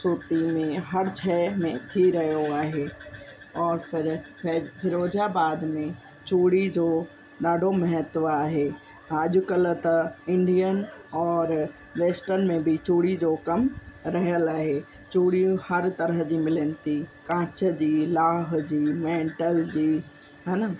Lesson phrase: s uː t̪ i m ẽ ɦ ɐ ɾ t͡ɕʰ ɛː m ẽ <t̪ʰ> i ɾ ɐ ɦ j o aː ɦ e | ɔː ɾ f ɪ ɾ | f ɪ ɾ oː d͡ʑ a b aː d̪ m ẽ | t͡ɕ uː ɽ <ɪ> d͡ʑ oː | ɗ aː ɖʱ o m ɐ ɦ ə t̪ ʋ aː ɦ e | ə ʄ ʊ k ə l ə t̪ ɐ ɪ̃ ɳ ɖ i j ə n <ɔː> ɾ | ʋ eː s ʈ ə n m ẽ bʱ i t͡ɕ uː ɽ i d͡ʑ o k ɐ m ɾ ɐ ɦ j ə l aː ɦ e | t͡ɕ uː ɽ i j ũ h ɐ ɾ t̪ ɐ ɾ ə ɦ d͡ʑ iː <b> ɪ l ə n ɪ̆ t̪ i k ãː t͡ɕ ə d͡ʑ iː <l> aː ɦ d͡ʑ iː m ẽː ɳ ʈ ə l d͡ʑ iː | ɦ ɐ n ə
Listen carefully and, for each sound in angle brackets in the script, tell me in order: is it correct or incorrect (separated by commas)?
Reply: correct, incorrect, correct, incorrect, correct